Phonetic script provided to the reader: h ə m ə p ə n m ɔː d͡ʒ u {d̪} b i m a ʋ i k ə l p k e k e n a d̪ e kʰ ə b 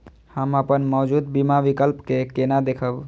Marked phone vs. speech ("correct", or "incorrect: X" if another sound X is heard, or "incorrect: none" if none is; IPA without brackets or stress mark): correct